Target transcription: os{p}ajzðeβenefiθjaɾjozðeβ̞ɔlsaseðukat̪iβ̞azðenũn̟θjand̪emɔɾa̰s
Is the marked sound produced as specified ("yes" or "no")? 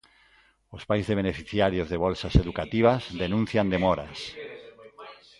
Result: yes